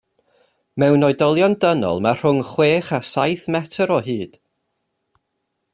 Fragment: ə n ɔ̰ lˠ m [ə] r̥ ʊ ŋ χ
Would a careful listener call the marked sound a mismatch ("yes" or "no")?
yes